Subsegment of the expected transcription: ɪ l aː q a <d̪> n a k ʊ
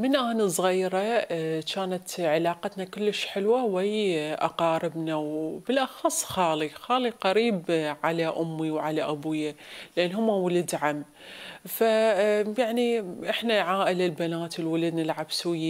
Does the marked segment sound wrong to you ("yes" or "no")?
yes